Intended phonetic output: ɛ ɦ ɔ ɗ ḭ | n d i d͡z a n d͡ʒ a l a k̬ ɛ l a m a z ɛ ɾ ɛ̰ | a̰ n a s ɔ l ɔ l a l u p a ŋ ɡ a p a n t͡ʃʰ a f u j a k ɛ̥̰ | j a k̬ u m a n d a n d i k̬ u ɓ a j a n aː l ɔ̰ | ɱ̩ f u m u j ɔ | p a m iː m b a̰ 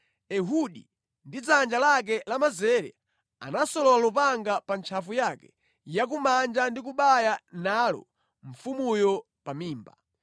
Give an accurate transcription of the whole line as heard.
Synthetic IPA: ɛ ɦ u ɗ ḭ | n d i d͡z a n d͡ʒ a l a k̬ ɛ l a m a z ɛ ɾ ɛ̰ | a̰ n a s ɔ l ɔ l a l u p a ŋ ɡ a p a n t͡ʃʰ a f u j a k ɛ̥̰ | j a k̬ u m a n d͡ʒ a n d i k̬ u ɓ a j a n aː l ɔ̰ | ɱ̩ f u m u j ɔ | p a m iː m b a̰